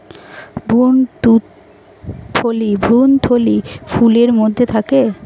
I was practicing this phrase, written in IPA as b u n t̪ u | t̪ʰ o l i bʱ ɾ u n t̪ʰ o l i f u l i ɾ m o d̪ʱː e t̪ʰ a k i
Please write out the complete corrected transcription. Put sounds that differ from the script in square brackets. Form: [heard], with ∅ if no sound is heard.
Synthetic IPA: b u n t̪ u | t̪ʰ o l i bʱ ɾ u n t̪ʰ o l i f u l [e] ɾ m o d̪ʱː e t̪ʰ a k [e]